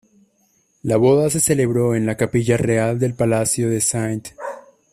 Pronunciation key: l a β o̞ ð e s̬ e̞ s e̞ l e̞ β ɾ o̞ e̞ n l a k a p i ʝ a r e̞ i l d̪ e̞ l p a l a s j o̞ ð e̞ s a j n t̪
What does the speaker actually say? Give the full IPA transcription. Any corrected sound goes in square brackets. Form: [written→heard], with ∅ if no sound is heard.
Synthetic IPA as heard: l a β o̞ ð [e→a] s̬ e̞ s e̞ l e̞ β ɾ o̞ e̞ n l a k a p i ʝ a r e̞ [i→a] l d̪ e̞ l p a l a s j o̞ ð e̞ s a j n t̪